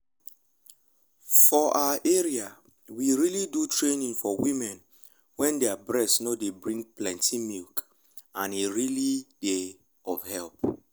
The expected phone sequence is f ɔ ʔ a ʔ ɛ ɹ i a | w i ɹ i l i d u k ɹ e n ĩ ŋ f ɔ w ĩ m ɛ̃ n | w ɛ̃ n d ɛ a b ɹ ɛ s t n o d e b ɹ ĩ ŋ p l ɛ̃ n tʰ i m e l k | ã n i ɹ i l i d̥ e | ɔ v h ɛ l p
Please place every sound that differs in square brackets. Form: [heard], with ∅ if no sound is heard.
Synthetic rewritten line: f ɔ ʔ a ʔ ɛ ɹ i a | w i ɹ i l i d u [t] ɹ e n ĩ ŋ f ɔ w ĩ m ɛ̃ n | w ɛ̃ n d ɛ a b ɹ ɛ s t n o d e b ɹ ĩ ŋ p l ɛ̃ n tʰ i m [i] l k | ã n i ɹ i l i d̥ e | ɔ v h ɛ l p

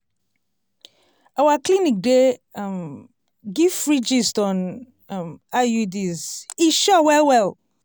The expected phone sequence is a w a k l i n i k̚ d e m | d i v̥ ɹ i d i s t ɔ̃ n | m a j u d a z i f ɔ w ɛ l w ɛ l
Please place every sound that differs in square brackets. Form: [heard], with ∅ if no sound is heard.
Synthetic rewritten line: a w a k l i n i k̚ d e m | [ɡ] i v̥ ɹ i [d͡ʒ] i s t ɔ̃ n | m a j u d [i] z i [ʃ] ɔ w ɛ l w ɛ l

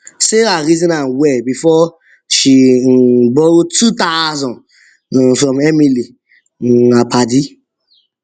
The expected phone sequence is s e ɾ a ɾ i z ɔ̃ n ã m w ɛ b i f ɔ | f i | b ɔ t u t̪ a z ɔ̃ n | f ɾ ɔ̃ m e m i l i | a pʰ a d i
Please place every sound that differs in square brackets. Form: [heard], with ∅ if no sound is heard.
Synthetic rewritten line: s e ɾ a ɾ i z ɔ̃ n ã [n] w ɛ b i f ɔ | [ʃ] i | b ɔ t u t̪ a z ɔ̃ n | f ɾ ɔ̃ m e m i l i | a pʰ a d i

